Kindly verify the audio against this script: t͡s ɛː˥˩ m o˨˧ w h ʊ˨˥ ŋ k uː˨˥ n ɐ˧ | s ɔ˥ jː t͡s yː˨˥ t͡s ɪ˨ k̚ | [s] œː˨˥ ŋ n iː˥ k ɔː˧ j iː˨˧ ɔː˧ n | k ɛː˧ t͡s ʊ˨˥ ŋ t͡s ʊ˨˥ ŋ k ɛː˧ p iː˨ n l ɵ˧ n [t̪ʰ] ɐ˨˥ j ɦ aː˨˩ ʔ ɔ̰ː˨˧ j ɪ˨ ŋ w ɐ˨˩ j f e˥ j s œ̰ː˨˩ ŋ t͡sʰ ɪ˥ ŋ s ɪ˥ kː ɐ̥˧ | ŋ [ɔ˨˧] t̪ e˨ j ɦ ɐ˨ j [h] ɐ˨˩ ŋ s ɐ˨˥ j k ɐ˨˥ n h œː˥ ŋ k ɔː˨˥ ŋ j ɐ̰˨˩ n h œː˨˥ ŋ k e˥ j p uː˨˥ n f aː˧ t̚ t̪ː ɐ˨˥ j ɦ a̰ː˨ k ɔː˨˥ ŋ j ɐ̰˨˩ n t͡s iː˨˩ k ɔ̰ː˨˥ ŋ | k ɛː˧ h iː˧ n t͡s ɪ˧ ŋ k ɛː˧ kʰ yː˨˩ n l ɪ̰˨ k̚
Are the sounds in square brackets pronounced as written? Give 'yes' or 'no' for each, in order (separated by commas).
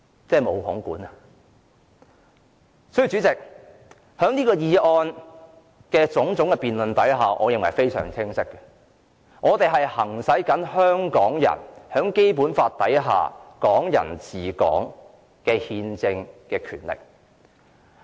no, no, no, yes